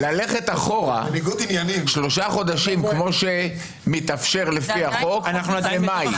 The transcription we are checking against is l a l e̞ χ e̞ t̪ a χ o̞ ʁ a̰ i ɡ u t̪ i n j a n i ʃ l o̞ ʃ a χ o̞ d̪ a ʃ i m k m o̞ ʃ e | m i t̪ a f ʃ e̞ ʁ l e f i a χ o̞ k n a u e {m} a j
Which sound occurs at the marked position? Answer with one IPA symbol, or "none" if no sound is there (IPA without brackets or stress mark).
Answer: m